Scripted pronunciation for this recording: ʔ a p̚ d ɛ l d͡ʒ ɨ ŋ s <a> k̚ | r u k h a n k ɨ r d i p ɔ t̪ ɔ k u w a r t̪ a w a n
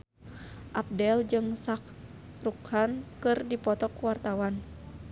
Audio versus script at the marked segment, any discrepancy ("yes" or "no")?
no